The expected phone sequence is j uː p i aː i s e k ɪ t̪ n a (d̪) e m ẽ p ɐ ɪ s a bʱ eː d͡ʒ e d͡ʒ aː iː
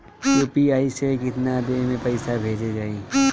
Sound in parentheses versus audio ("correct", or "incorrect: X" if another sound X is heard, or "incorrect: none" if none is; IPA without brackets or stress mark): correct